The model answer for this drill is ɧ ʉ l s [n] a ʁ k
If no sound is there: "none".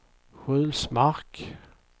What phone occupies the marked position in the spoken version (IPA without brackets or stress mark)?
m